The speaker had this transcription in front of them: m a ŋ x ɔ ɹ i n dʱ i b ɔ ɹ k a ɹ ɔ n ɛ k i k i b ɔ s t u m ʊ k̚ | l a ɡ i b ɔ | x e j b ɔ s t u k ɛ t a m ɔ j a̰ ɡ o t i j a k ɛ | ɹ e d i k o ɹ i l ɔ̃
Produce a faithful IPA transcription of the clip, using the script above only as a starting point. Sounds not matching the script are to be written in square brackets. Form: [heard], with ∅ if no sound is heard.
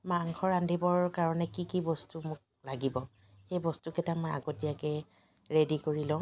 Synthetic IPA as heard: m a ŋ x ɔ ɹ [a] n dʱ i b ɔ ɹ k a ɹ ɔ n ɛ k i k i b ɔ s t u m ʊ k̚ | l a ɡ i b ɔ | x e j b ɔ s t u k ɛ t a m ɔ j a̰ ɡ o t i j a k ɛ | ɹ e d i k o ɹ i l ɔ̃